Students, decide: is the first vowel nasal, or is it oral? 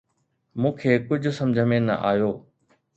nasal